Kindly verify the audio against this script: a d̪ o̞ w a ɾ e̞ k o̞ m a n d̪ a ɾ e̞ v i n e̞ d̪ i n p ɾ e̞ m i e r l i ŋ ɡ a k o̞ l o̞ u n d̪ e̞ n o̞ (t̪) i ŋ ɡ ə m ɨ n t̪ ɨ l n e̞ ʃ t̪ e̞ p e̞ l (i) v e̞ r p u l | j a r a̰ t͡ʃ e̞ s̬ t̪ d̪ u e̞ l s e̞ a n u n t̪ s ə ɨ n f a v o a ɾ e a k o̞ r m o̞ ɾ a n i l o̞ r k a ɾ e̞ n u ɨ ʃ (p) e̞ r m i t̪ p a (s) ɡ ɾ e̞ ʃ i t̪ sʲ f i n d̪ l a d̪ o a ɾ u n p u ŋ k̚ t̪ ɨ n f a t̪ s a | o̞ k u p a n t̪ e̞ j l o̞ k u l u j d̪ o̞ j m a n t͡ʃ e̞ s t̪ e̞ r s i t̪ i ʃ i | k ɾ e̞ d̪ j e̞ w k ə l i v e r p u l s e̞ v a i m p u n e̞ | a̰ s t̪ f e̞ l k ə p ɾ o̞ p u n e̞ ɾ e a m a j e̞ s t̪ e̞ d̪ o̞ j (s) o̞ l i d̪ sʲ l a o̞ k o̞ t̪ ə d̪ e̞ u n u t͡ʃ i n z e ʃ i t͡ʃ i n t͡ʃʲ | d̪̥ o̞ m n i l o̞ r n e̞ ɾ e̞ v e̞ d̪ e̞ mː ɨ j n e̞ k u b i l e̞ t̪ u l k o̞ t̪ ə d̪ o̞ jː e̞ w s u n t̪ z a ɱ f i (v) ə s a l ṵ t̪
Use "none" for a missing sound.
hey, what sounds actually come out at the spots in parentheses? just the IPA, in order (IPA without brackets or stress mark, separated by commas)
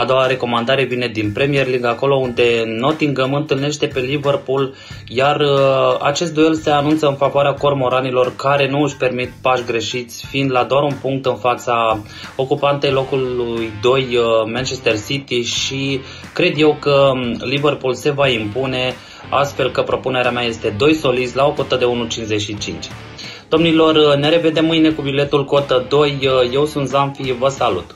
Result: t̪, i, p, ʃ, s, v